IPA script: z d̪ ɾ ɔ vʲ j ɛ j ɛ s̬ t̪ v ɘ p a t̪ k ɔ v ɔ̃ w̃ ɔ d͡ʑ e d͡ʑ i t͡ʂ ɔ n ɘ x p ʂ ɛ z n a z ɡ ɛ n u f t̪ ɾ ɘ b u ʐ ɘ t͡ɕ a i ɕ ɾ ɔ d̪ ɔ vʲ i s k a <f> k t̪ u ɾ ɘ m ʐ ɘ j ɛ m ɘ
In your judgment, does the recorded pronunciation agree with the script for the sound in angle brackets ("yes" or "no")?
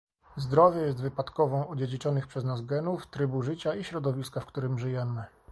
yes